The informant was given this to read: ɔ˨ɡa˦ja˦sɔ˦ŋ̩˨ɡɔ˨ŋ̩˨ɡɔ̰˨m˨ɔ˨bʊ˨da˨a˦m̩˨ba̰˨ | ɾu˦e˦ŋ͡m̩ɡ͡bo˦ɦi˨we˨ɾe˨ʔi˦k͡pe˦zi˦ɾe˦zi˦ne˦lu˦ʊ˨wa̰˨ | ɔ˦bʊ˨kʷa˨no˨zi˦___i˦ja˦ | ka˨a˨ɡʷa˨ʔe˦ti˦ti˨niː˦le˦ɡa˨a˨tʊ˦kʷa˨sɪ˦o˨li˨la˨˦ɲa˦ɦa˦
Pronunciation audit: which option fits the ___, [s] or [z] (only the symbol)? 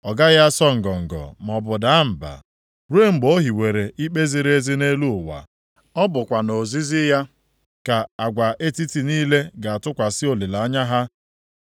z